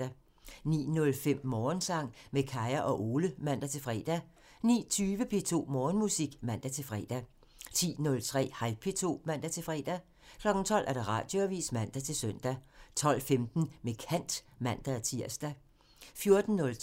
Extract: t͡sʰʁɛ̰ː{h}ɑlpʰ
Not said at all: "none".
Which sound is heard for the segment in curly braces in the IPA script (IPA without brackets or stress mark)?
h